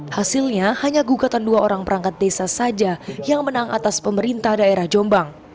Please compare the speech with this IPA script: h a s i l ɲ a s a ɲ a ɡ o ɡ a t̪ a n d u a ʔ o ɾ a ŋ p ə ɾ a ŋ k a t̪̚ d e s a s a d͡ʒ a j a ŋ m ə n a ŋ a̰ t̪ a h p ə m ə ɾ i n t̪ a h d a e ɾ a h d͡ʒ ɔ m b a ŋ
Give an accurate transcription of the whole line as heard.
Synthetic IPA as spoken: h a s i l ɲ a h a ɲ a ɡ u ɡ a t̪ a n d u a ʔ o ɾ a ŋ p ə ɾ a ŋ k a t̪̚ d e s a s a d͡ʒ a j a ŋ m ə n a ŋ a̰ t̪ a s p ə m ə ɾ i n t̪ a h d a e ɾ a h d͡ʒ ɔ m b a ŋ